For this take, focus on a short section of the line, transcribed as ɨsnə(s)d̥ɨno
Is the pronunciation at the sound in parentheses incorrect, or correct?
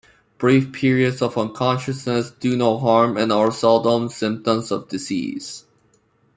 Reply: correct